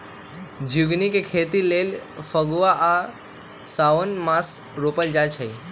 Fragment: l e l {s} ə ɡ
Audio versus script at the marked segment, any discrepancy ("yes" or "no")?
yes